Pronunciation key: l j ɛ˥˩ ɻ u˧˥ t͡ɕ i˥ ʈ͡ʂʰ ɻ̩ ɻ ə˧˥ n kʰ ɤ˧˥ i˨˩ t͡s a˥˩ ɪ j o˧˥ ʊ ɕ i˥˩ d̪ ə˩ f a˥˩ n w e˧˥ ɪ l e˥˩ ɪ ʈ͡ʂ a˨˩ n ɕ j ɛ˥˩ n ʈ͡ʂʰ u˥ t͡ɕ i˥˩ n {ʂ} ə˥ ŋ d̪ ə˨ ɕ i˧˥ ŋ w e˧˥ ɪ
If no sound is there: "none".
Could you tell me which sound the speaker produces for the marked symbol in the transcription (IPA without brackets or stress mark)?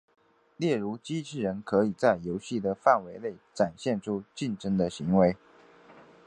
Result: ʈ͡ʂ